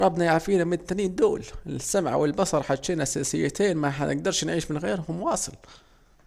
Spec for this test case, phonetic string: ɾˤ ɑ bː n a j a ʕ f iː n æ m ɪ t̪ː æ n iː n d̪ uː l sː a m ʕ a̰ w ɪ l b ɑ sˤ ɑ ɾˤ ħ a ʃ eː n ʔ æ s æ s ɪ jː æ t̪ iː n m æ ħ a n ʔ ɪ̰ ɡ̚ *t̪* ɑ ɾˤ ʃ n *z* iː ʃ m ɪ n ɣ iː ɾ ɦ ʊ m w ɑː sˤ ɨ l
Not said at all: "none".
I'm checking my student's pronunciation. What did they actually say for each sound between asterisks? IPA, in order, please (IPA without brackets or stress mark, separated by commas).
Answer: d̪, ʕ